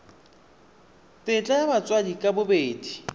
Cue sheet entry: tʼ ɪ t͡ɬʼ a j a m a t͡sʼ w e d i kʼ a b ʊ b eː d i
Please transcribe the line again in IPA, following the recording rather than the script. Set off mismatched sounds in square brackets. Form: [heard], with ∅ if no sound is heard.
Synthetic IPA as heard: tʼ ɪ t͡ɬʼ a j a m a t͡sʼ w [a] d i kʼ a b ʊ b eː d i